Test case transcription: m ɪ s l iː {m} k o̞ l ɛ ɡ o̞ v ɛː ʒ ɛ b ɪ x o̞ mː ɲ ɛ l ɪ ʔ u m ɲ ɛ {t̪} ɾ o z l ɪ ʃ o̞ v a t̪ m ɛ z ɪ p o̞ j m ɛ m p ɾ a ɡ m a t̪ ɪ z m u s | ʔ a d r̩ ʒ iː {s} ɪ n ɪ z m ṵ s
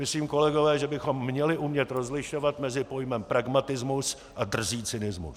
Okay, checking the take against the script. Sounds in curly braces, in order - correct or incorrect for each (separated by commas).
correct, correct, incorrect